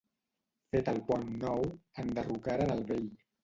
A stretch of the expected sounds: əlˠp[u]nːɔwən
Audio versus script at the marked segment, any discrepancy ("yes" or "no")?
yes